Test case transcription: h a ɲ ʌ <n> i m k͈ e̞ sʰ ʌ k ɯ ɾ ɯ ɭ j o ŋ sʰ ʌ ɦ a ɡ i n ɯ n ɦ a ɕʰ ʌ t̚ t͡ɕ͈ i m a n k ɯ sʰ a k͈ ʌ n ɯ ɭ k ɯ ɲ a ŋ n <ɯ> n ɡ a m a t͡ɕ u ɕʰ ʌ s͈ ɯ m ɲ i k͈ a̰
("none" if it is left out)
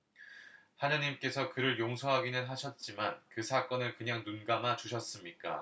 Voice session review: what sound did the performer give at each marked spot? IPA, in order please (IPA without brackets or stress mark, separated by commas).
ɲ, u